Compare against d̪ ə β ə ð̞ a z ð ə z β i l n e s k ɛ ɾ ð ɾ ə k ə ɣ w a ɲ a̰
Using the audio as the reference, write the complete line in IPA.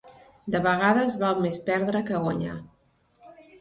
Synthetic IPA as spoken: d̪ ə β ə ɣ̞ a ð ə z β a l m e s p ɛ ɾ ð ɾ ə k ə ɣ w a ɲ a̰